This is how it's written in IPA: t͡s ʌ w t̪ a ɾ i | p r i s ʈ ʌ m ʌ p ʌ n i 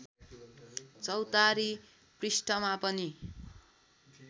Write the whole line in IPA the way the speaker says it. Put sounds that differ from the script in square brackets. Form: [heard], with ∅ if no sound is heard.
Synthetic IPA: t͡s ʌ w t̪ a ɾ i | p r i s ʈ ʌ m [a] p ʌ n i